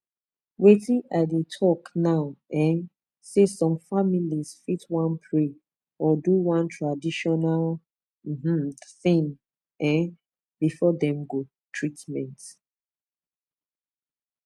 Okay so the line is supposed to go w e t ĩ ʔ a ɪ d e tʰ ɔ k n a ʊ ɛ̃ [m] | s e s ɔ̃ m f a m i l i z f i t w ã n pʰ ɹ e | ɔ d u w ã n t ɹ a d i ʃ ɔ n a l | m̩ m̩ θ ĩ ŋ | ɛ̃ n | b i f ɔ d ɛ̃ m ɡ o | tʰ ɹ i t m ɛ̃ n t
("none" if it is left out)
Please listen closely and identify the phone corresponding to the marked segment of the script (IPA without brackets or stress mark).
n